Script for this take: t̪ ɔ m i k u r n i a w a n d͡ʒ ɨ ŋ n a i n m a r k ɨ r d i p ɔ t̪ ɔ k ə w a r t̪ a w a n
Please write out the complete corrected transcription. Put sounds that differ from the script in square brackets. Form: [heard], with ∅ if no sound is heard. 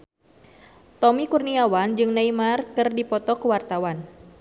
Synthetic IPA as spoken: t̪ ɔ m i k u r n i a w a n d͡ʒ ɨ ŋ n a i [∅] m a r k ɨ r d i p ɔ t̪ ɔ k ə w a r t̪ a w a n